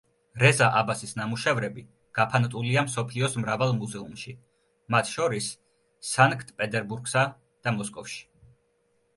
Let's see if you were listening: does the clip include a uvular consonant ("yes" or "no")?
no